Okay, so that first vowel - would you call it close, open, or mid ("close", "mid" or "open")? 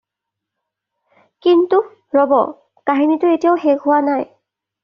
close